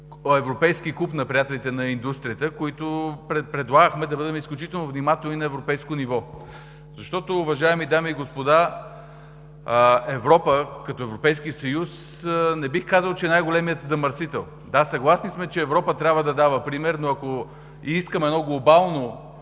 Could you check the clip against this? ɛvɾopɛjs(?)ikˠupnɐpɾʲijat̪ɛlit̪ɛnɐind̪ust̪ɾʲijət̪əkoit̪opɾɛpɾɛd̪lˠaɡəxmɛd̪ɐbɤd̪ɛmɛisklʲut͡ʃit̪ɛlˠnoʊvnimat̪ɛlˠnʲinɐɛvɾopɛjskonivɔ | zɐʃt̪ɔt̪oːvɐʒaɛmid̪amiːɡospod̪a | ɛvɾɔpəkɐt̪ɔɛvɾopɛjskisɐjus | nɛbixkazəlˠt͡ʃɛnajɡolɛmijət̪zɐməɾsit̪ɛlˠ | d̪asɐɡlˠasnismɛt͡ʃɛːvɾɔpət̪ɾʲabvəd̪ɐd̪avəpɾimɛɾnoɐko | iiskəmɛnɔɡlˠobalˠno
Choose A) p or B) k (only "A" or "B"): B